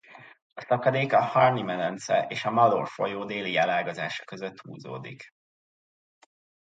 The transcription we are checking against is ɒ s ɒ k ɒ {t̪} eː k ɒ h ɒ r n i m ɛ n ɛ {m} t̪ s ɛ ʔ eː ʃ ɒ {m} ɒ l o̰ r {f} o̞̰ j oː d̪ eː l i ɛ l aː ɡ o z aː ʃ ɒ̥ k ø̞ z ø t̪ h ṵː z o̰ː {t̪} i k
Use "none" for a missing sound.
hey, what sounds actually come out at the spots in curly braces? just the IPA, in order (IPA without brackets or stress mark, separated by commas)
d̪, n, m, f, d̪